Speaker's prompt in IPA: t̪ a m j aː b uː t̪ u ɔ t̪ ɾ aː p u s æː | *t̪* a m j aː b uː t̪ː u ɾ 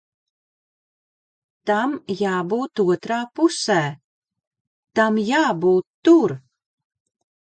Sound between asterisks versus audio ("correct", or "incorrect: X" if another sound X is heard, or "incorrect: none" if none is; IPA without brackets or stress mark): correct